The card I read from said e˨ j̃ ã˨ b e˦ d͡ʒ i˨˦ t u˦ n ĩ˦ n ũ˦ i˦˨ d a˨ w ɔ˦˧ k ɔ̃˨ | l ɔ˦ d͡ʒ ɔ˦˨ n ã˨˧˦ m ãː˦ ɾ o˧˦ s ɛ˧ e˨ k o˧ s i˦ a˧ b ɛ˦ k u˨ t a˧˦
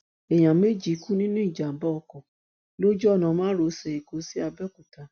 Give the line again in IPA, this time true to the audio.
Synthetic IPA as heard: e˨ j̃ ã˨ m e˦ d͡ʒ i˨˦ k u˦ n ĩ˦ n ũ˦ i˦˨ d͡ʒ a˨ b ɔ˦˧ k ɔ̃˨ | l o˦ d͡ʒ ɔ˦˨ n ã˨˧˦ m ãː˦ ɾ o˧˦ s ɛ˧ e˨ k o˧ s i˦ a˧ b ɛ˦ k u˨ t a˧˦

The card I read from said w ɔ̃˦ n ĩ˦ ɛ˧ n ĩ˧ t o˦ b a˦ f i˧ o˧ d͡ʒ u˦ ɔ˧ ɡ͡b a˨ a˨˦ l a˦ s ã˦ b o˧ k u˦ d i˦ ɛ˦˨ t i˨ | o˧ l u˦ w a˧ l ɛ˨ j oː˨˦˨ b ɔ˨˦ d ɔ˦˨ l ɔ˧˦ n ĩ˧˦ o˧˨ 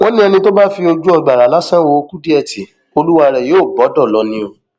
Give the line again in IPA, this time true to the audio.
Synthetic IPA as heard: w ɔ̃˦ n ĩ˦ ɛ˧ n ĩ˧ t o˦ b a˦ f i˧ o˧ d͡ʒ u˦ ɔ˧ ɡ͡b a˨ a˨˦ l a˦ s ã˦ w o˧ k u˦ d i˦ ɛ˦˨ t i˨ | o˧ l u˦ w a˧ ɾ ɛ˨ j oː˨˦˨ b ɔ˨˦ d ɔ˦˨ l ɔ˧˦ n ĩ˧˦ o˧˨

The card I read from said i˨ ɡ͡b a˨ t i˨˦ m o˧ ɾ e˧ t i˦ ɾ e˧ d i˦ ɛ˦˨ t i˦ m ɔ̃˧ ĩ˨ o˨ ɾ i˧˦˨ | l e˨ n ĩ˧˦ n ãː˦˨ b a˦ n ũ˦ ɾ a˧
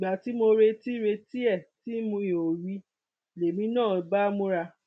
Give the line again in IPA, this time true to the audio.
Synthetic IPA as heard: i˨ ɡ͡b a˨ t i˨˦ m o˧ ɾ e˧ t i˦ ɾ e˧ t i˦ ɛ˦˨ t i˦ m ũ˧ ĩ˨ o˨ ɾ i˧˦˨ | l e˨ m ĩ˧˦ n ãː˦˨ b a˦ m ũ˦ ɾ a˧

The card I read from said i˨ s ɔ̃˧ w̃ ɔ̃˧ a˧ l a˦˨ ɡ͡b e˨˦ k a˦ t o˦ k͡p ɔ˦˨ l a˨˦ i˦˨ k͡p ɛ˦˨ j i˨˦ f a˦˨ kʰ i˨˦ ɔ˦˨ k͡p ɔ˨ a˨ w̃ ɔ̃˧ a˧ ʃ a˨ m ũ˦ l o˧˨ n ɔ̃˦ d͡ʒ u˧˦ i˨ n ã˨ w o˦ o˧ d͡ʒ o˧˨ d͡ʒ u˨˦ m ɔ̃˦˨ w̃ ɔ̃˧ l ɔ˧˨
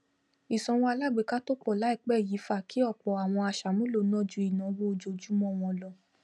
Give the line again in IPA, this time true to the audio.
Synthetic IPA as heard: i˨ s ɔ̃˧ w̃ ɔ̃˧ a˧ l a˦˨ ɡ͡b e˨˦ k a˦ t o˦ k͡p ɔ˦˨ l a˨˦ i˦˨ k͡p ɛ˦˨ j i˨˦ f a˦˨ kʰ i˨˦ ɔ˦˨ k͡p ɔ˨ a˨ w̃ ɔ̃˧ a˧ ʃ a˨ m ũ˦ l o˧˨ n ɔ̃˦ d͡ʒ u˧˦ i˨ n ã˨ w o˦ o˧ d͡ʒ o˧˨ d͡ʒ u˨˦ m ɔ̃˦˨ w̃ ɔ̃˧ l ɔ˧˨

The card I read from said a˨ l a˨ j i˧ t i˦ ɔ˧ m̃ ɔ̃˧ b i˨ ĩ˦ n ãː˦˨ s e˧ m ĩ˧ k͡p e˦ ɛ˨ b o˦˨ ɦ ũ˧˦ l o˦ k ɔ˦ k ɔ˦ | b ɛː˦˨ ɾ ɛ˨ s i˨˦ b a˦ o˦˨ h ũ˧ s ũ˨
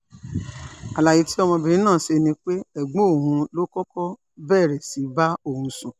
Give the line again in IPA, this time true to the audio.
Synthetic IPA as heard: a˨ l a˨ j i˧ t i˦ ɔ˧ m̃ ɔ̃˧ b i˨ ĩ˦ n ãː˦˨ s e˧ n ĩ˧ k͡p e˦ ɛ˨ ɡ͡b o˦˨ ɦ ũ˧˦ l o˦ k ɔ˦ k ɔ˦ | b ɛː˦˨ ɾ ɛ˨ s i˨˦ b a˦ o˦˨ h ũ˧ s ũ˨

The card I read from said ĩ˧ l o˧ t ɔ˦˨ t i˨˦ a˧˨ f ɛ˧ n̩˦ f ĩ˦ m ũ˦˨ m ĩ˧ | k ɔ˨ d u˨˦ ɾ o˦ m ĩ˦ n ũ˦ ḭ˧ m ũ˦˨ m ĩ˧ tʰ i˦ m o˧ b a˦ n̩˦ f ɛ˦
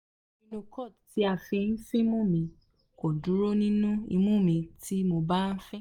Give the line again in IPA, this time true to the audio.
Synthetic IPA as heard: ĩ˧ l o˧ k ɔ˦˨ t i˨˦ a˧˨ f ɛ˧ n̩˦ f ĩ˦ m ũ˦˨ m ĩ˧ | k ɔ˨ d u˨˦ ɾ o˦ n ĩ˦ n ũ˦ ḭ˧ m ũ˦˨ m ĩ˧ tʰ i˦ m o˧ b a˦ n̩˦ f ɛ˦

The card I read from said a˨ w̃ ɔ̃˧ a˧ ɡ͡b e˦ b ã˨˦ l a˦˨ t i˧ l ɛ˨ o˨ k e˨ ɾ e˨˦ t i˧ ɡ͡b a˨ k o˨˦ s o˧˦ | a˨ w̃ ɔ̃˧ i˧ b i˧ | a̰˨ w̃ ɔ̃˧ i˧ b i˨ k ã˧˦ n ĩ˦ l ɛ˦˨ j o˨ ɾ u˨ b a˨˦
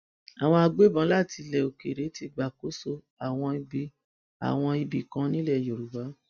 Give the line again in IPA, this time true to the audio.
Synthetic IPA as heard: a˨ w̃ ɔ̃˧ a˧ ɡ͡b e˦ b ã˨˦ l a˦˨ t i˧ l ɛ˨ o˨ k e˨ ɾ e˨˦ t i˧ ɡ͡b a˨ k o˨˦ s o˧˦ | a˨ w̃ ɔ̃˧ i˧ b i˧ | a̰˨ w̃ ɔ̃˧ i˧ b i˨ k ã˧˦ n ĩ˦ l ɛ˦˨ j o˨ ɾ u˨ b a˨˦

